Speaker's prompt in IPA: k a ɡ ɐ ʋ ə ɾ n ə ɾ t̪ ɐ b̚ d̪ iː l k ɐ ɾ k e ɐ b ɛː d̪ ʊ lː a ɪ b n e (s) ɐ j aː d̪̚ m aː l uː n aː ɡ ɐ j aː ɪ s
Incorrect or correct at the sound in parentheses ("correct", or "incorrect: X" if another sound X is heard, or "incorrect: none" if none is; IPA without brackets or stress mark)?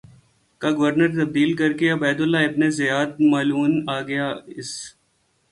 incorrect: z